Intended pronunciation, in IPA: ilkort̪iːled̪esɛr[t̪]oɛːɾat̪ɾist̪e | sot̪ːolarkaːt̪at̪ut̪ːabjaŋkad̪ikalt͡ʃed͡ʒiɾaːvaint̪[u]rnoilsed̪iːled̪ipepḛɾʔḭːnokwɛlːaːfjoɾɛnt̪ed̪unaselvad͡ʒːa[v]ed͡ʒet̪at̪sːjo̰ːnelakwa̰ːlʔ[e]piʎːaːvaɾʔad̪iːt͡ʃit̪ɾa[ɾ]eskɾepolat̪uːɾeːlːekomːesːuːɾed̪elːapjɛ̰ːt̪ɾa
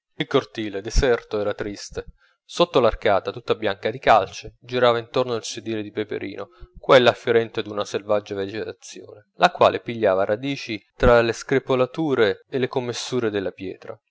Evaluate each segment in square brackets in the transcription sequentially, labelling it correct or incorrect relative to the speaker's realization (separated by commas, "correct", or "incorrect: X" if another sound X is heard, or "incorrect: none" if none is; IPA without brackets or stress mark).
correct, incorrect: o, correct, correct, incorrect: l